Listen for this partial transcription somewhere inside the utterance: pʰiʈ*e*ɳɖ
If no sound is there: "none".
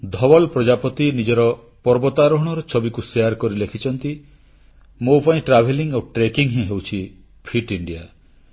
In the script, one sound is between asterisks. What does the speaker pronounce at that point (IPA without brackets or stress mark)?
i